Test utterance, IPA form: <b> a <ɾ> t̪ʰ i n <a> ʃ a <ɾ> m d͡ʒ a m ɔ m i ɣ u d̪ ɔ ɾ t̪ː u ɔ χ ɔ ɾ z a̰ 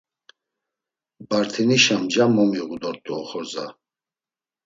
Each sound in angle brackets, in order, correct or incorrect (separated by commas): correct, correct, incorrect, incorrect